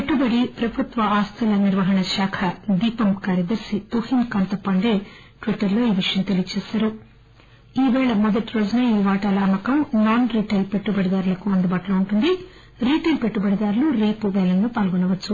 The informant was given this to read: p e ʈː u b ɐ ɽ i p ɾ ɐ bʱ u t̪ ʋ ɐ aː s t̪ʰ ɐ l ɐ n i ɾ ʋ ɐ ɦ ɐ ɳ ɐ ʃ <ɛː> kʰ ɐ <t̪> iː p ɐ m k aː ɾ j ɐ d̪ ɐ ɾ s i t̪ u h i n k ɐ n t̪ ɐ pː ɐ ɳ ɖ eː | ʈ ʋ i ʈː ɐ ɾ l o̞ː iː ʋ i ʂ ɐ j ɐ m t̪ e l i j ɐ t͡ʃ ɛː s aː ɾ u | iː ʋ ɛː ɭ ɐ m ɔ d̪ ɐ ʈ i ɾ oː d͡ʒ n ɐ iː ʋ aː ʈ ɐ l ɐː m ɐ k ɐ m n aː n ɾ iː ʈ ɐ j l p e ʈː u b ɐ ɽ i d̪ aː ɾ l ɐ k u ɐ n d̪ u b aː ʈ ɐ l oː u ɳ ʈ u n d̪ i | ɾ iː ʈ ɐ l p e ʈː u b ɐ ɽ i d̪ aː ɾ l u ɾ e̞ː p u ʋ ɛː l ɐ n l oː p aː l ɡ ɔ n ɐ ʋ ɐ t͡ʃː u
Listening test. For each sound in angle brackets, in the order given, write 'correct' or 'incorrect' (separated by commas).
incorrect, incorrect